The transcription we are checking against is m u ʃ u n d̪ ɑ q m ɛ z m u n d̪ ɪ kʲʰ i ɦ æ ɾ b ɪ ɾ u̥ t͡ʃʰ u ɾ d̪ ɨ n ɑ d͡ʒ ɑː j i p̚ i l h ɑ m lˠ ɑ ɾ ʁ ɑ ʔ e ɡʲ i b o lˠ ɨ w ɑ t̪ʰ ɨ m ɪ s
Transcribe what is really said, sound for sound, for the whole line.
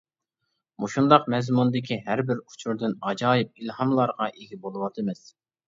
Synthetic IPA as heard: m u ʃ u n d̪ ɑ q m ɛ z m u n d̪ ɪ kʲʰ i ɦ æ ɾ b ɪ ɾ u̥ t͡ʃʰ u ɾ d̪ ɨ n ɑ d͡ʒ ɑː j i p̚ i l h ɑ m lˠ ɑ ɾ ʁ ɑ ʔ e ɡʲ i b o lˠ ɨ w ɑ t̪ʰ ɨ m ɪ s